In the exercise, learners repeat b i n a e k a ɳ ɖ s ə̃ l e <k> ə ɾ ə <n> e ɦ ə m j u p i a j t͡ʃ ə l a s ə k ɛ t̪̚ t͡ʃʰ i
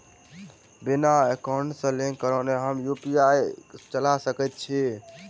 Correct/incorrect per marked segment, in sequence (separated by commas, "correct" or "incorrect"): correct, correct